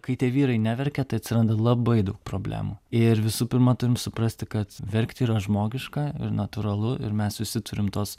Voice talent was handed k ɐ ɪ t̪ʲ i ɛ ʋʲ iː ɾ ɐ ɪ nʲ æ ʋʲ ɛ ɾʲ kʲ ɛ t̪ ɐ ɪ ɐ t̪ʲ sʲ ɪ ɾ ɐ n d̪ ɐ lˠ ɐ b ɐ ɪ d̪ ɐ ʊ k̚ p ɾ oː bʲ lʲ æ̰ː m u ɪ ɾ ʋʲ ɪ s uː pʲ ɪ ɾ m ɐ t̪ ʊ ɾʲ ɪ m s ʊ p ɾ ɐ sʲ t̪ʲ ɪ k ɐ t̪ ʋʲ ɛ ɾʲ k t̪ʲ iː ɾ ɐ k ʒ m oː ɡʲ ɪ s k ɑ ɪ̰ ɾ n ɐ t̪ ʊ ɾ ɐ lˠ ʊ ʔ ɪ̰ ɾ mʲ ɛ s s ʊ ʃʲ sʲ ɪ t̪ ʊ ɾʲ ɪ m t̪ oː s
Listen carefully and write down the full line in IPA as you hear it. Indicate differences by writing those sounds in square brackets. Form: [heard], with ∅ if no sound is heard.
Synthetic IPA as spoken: k ɐ ɪ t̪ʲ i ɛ ʋʲ iː ɾ ɐ ɪ nʲ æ ʋʲ ɛ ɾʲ kʲ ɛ t̪ ɐ ɪ ɐ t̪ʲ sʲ ɪ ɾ ɐ n d̪ ɐ lˠ ɐ b ɐ ɪ d̪ ɐ ʊ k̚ p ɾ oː bʲ lʲ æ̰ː m u ɪ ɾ ʋʲ ɪ s uː pʲ ɪ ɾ m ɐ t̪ ʊ ɾʲ ɪ m s ʊ p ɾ ɐ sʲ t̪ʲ ɪ k ɐ t̪ ʋʲ ɛ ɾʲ k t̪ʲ iː ɾ ɐ [∅] ʒ m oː ɡʲ ɪ [ʃ] k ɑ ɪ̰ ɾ n ɐ t̪ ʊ ɾ ɐ lˠ ʊ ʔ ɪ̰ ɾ mʲ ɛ s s ʊ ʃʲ sʲ ɪ t̪ ʊ ɾʲ ɪ m t̪ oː s

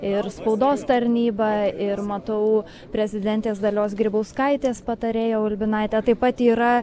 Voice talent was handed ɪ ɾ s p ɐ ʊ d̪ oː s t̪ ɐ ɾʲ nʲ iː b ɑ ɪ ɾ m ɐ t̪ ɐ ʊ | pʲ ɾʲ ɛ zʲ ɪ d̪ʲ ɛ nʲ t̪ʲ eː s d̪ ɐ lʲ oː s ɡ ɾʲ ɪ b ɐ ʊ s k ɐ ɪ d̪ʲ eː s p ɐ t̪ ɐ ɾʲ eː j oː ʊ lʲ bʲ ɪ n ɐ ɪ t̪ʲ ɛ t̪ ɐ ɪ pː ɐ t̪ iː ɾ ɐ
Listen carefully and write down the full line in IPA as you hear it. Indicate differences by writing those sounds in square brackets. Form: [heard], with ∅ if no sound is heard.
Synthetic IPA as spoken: ɪ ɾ s p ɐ ʊ d̪ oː s t̪ ɐ ɾʲ nʲ iː b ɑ ɪ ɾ m ɐ t̪ ɐ ʊ | pʲ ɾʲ ɛ zʲ ɪ d̪ʲ ɛ nʲ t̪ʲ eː s d̪ ɐ lʲ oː s ɡ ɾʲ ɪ b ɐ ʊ s k ɐ ɪ [t̪ʲ] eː s p ɐ t̪ ɐ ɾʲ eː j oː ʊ lʲ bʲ ɪ n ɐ ɪ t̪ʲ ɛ t̪ ɐ ɪ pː ɐ t̪ iː ɾ ɐ

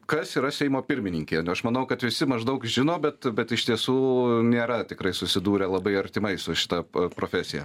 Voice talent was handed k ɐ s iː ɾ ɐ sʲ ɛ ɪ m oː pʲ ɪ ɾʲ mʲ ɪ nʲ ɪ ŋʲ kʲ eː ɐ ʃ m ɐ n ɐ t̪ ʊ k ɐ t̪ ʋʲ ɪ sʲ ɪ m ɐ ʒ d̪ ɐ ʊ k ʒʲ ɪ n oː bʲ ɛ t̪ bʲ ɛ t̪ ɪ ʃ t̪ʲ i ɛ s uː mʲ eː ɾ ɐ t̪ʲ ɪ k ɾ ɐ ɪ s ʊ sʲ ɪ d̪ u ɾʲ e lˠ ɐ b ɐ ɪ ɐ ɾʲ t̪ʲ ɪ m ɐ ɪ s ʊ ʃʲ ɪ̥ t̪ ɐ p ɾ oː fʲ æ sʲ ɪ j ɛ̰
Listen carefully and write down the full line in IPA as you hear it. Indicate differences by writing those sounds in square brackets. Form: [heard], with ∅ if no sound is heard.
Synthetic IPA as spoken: k ɐ s iː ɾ ɐ sʲ ɛ ɪ m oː pʲ ɪ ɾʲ mʲ ɪ nʲ ɪ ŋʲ kʲ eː ɐ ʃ m ɐ n ɐ [∅] ʊ k ɐ t̪ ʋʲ ɪ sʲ ɪ m ɐ ʒ d̪ ɐ ʊ k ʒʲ ɪ n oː bʲ ɛ t̪ bʲ ɛ t̪ ɪ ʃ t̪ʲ i ɛ s uː [nʲ] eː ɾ ɐ t̪ʲ ɪ k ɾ ɐ ɪ s ʊ sʲ ɪ d̪ [uː] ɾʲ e lˠ ɐ b ɐ ɪ ɐ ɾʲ t̪ʲ ɪ m ɐ ɪ s ʊ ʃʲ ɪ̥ t̪ ɐ p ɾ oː fʲ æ sʲ ɪ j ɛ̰

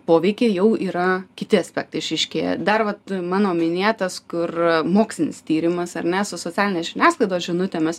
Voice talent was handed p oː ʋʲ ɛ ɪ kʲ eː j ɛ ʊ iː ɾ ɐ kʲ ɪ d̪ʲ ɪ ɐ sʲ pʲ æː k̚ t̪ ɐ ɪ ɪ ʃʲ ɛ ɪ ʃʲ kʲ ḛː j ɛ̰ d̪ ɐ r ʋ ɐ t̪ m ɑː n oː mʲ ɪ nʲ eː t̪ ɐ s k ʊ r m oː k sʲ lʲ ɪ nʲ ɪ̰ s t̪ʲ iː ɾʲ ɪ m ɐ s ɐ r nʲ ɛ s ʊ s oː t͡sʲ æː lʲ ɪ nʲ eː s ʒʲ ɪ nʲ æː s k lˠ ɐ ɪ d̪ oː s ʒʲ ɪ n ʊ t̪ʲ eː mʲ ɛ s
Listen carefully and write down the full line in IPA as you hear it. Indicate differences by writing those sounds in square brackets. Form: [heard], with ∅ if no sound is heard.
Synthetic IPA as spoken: p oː ʋʲ ɛ ɪ kʲ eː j ɛ ʊ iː ɾ ɐ kʲ ɪ [t̪ʲ] ɪ ɐ sʲ pʲ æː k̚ t̪ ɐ ɪ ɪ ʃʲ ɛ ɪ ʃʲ kʲ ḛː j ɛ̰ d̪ ɐ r ʋ ɐ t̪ m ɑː n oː mʲ ɪ nʲ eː t̪ ɐ s k ʊ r m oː k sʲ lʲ ɪ nʲ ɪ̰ s t̪ʲ iː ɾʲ ɪ m ɐ s ɐ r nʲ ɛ s ʊ s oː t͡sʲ æː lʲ ɪ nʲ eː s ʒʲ ɪ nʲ æː s k lˠ ɐ ɪ d̪ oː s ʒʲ ɪ n ʊ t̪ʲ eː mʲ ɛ s

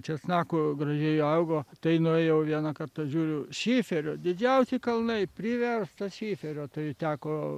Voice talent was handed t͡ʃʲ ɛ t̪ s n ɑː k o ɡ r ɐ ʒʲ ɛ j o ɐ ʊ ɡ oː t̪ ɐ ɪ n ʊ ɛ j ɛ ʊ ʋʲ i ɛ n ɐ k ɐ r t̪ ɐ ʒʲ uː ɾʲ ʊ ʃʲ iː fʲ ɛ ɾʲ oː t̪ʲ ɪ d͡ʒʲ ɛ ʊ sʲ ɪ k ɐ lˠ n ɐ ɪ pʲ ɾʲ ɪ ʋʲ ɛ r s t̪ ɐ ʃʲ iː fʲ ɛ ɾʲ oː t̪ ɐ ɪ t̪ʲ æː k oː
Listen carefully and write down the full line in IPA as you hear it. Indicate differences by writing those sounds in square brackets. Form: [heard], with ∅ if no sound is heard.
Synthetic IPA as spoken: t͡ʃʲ ɛ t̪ s n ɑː k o ɡ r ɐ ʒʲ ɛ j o ɐ ʊ ɡ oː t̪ ɐ ɪ n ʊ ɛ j ɛ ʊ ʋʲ i ɛ n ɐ k ɐ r t̪ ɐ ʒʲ uː ɾʲ ʊ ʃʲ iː fʲ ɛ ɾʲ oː [d̪ʲ] ɪ d͡ʒʲ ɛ ʊ sʲ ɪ k ɐ lˠ n ɐ ɪ pʲ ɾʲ ɪ ʋʲ ɛ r s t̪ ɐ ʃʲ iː fʲ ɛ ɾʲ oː t̪ ɐ ɪ t̪ʲ æː k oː

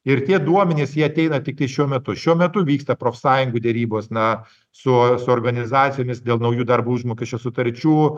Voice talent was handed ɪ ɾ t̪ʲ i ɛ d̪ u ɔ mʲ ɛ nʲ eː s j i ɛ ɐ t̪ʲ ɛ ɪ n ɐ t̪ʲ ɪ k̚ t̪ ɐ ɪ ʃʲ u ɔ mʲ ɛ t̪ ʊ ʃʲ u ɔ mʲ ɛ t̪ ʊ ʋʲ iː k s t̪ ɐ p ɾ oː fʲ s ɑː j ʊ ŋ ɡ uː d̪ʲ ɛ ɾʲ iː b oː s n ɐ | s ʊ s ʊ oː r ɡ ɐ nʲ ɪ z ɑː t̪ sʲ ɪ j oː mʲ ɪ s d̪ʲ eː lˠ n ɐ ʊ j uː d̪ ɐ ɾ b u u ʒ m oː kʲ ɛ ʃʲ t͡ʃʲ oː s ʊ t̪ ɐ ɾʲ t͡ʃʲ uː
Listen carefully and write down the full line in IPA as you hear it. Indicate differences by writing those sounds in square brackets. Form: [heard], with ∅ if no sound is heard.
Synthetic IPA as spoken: ɪ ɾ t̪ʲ i ɛ d̪ u ɔ mʲ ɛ nʲ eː s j i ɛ ɐ t̪ʲ ɛ ɪ n ɐ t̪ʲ ɪ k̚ t̪ ɐ ɪ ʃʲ u ɔ mʲ ɛ t̪ ʊ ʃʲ u ɔ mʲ ɛ t̪ ʊ ʋʲ iː k s t̪ ɐ p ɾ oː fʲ s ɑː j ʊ ŋ ɡ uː d̪ʲ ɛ ɾʲ iː b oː s n ɐ | s ʊ s ʊ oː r ɡ ɐ nʲ ɪ z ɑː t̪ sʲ ɪ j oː mʲ ɪ s d̪ʲ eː lˠ n ɐ ʊ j uː d̪ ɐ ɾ b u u ʒ m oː kʲ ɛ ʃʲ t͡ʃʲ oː s ʊ t̪ ɐ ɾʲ t͡ʃʲ uː

